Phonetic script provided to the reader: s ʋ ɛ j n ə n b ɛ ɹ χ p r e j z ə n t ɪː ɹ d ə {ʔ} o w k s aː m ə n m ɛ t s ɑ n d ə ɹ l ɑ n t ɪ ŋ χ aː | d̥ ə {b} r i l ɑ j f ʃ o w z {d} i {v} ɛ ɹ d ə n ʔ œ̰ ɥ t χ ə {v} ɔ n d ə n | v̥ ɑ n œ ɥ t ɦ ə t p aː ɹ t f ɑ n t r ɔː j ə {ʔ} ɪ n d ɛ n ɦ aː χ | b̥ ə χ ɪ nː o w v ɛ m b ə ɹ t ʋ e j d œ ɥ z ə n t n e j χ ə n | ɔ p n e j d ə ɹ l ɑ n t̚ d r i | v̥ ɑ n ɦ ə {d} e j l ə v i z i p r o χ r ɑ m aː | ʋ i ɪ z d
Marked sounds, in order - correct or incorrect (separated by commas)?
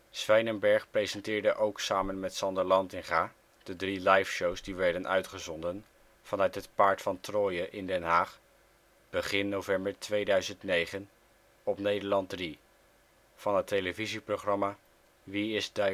correct, incorrect, correct, incorrect, incorrect, correct, incorrect